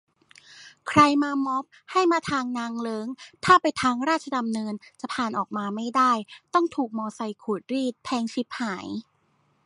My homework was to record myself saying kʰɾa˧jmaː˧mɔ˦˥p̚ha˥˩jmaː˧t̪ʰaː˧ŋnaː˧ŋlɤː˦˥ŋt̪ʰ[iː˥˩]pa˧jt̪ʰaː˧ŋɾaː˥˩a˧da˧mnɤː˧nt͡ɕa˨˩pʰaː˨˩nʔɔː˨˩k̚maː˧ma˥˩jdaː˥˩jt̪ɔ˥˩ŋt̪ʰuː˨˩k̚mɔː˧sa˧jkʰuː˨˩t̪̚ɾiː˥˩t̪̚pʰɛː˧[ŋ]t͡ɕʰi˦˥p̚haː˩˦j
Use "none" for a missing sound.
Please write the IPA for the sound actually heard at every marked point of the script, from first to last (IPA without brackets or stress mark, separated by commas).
aː˥˩, ŋ